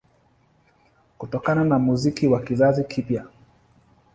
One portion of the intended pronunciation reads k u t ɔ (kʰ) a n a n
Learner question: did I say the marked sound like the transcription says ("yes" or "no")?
no